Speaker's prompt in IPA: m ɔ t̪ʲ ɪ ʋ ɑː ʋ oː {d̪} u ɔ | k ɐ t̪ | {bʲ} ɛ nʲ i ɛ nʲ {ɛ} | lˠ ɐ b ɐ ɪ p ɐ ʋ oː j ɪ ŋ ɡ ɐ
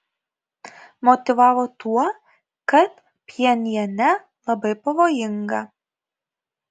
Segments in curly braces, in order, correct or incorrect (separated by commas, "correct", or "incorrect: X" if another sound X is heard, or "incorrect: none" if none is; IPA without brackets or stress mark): incorrect: t̪, incorrect: pʲ, correct